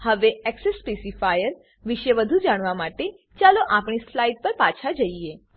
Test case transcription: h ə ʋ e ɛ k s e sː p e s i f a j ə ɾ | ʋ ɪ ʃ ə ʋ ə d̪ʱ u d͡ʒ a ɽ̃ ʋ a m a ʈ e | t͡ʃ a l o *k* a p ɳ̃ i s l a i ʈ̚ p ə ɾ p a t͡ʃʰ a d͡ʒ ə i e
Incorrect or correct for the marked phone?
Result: incorrect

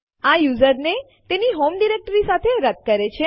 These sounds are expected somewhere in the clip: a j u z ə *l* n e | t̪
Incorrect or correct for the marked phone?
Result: incorrect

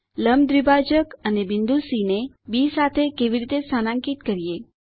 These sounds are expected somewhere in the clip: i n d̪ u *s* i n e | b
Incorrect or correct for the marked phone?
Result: correct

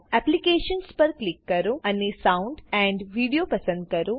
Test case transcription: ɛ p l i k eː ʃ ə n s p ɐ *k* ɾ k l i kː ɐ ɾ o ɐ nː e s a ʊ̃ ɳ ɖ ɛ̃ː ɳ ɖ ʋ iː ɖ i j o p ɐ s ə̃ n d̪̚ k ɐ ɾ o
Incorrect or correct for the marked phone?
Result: incorrect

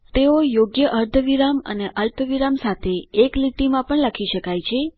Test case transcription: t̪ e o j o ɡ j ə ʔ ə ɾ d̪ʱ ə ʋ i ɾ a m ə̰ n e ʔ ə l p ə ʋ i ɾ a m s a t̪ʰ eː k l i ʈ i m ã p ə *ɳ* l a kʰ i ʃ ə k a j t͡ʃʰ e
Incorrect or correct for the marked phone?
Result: correct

